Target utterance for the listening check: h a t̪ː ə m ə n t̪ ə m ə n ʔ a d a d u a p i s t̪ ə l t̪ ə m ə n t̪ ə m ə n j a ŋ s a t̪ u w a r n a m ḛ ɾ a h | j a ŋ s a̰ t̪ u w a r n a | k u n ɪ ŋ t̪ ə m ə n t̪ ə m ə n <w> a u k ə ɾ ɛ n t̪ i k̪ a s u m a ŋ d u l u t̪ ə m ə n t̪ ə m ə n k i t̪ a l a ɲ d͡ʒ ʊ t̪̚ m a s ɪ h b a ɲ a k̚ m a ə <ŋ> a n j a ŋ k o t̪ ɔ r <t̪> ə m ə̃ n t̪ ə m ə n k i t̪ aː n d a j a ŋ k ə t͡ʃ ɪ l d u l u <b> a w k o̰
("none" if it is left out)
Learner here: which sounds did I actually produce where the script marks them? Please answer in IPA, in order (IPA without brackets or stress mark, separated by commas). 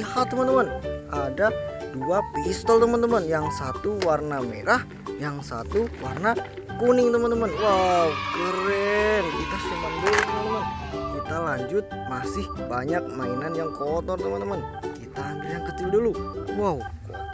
w, n, t̪, w